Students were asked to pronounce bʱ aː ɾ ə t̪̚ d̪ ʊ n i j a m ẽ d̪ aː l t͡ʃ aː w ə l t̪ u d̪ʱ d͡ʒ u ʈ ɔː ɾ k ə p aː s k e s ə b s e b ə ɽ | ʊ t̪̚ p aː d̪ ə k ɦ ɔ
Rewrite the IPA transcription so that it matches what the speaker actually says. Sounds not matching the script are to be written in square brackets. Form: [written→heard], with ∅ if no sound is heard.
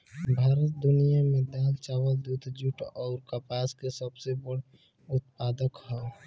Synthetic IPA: bʱ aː ɾ ə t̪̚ d̪ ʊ n i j a m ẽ d̪ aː l t͡ʃ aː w ə l [t̪→d̪] u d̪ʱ d͡ʒ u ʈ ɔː ɾ k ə p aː s k e s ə b s e b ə ɽ | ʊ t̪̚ p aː d̪ ə k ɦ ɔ